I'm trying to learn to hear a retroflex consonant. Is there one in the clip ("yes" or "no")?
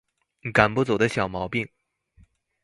no